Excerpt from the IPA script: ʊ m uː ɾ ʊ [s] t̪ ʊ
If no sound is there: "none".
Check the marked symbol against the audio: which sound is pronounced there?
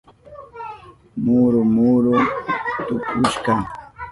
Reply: t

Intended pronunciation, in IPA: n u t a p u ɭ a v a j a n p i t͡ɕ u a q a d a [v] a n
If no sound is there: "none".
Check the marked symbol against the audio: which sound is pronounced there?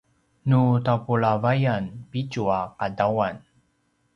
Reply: w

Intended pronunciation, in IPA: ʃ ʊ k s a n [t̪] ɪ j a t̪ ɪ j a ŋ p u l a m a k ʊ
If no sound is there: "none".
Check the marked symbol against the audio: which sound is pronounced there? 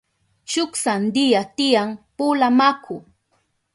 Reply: d̪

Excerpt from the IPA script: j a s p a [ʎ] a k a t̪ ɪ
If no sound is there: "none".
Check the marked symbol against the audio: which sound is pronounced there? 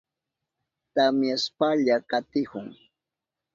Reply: ʎ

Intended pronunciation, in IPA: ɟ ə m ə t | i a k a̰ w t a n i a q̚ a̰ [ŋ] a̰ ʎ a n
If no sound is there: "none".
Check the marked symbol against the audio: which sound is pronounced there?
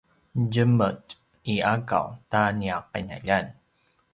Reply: n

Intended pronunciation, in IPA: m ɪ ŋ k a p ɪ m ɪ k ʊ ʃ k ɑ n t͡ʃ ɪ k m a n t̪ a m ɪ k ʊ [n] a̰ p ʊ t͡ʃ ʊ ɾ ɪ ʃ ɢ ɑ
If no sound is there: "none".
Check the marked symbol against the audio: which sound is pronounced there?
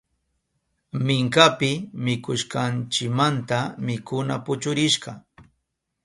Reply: n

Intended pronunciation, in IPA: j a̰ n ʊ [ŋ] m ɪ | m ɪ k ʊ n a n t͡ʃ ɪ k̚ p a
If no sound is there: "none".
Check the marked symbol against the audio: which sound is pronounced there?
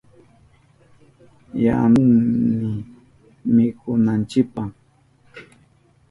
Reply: ŋ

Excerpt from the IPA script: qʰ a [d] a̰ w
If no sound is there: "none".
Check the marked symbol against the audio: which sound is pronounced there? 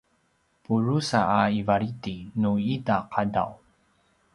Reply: d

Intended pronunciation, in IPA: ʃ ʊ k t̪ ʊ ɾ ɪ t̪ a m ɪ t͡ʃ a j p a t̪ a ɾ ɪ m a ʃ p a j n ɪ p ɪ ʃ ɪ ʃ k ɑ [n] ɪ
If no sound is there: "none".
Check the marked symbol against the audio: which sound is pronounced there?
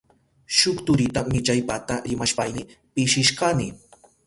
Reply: n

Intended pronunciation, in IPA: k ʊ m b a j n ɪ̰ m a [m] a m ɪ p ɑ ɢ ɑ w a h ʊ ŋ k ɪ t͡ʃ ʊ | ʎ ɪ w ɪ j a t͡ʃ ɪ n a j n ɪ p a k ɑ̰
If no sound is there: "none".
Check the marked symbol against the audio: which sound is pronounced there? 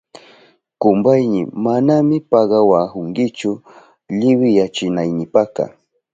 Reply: n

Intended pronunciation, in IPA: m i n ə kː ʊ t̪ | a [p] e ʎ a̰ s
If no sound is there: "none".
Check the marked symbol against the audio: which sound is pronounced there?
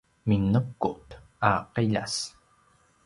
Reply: q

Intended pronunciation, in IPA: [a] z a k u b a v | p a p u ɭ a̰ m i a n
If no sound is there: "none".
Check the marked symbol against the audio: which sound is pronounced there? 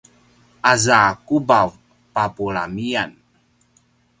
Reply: a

